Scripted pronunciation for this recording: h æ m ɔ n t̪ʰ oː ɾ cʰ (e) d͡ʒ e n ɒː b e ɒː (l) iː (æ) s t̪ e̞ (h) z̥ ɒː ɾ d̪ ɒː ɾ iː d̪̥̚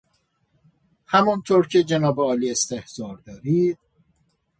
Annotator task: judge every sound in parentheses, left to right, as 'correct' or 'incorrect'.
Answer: correct, correct, incorrect: e, correct

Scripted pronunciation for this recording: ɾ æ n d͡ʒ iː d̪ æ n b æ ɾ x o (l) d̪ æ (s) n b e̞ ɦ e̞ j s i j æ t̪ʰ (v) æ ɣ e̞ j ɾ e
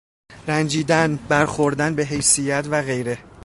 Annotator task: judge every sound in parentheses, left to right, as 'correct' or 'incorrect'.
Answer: incorrect: ɾ, incorrect: none, correct

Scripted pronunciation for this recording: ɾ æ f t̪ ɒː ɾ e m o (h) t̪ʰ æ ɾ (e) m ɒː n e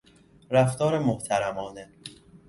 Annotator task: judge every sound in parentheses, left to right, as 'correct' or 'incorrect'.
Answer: correct, incorrect: æ

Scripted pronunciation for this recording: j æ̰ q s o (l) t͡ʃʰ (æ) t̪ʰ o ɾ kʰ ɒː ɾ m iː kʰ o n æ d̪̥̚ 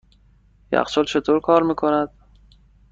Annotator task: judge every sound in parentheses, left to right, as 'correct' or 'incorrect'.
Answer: correct, incorrect: e

